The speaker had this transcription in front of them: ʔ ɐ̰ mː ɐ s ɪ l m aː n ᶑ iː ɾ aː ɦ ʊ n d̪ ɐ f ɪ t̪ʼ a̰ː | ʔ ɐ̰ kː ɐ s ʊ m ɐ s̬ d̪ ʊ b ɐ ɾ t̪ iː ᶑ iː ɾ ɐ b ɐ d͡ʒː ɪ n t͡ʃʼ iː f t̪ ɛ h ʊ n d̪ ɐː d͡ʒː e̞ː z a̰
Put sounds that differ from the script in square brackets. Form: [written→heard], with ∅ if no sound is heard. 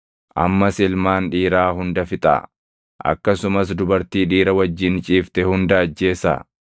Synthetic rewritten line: ʔ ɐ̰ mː ɐ s ɪ l m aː n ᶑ iː ɾ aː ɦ ʊ n d̪ ɐ f ɪ t̪ʼ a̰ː | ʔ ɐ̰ kː ɐ s ʊ m ɐ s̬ d̪ ʊ b ɐ ɾ t̪ iː ᶑ iː ɾ ɐ [b→w] ɐ d͡ʒː ɪ n t͡ʃʼ iː f t̪ ɛ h ʊ n d̪ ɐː d͡ʒː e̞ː [z→s] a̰